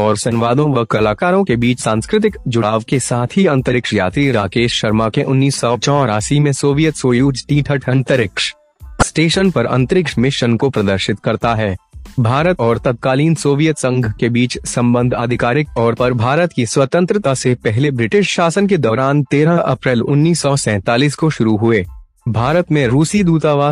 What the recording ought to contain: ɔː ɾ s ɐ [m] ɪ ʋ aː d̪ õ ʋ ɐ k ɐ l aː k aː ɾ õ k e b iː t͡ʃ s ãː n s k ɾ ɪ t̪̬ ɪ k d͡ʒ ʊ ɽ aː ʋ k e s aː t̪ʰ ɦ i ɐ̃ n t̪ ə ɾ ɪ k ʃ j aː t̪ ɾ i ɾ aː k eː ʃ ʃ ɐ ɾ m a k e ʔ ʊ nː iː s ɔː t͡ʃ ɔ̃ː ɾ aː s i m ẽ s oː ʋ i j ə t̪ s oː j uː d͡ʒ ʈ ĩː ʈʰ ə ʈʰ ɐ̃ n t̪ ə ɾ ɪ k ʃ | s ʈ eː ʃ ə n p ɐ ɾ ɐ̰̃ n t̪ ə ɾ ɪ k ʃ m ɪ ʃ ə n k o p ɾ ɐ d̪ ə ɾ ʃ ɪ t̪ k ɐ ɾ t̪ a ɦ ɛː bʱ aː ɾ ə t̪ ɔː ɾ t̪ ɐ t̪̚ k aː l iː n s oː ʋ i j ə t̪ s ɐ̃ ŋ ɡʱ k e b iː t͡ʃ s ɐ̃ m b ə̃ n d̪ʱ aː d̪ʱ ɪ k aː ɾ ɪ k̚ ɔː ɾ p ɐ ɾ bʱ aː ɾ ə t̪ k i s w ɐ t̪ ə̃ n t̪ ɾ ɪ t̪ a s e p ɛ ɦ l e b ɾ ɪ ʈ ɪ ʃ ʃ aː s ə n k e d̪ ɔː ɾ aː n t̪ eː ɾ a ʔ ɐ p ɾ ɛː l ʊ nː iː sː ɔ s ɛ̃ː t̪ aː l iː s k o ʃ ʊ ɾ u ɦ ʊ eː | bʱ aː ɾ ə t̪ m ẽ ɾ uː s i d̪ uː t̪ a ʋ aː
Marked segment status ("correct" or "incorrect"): incorrect